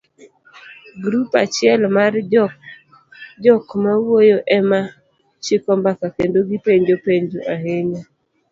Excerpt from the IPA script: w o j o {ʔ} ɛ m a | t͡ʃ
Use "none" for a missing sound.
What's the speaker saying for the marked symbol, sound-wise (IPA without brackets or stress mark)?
ʔ